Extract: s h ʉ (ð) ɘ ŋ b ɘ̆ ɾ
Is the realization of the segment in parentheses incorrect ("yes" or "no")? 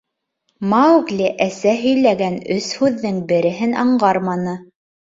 yes